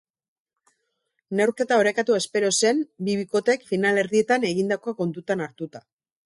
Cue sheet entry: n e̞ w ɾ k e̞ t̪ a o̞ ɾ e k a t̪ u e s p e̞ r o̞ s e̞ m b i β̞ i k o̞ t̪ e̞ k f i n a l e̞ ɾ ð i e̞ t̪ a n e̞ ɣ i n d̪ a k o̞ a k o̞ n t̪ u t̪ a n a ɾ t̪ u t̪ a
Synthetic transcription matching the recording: n e̞ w ɾ k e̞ t̪ a o̞ ɾ e k a t̪ u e s p e̞ ɾ o̞ s e̞ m b i β̞ i k o̞ t̪ e̞ k f i n a l e̞ ɾ ð i e̞ t̪ a n e̞ ɣ i n d̪ a k o̞ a k o̞ n t̪ u t̪ a n a ɾ t̪ u t̪ a